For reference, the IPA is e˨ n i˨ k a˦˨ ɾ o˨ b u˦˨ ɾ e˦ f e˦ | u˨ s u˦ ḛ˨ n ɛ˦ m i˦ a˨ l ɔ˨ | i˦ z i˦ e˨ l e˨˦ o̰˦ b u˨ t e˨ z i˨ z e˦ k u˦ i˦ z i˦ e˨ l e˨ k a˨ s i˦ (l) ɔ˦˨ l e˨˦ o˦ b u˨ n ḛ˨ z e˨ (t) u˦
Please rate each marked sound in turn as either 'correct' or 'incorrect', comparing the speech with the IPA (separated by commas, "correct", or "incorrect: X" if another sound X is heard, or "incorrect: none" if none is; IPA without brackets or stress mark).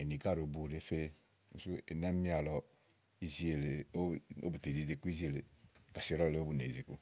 incorrect: ɾ, incorrect: k